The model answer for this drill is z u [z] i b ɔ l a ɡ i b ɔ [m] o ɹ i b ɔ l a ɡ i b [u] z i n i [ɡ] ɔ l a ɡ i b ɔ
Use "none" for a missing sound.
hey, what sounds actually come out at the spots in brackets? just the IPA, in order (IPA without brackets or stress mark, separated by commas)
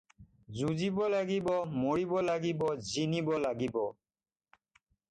z, m, ɔ, b